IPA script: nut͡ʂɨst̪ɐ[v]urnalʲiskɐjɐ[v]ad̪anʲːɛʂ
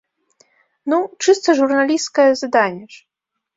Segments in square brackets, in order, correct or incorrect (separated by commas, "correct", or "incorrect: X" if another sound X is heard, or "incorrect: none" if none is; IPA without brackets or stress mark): incorrect: ʐ, incorrect: z